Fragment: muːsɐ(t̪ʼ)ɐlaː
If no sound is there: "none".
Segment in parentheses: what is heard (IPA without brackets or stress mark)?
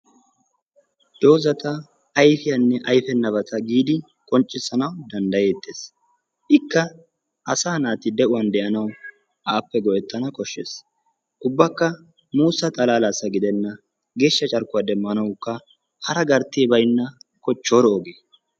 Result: t̪ʼ